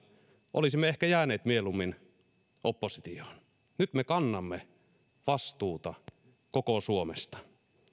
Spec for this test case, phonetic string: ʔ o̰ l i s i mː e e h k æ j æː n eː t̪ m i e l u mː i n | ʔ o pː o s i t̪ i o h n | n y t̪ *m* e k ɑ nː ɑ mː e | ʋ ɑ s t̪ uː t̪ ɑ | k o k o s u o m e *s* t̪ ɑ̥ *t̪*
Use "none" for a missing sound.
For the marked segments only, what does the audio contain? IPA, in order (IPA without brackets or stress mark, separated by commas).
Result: m, s, none